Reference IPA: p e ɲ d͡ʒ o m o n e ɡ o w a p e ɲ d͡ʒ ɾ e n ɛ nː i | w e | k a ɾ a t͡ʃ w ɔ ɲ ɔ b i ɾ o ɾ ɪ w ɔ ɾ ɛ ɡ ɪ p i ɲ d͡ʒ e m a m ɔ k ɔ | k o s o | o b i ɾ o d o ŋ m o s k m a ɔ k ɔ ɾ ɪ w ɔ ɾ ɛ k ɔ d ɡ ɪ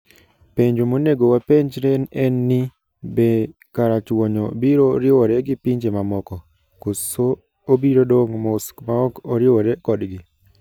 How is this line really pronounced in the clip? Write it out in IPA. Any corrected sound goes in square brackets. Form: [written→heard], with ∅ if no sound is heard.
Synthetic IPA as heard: p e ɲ d͡ʒ o m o n e ɡ o w a p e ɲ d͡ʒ ɾ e n ɛ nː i | [w→b] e | k a ɾ a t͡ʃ w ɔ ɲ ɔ b i ɾ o ɾ ɪ w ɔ ɾ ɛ ɡ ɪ p i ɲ d͡ʒ e m a m ɔ k ɔ | k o s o | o b i ɾ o d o ŋ m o s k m a ɔ k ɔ ɾ ɪ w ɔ ɾ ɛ k ɔ d ɡ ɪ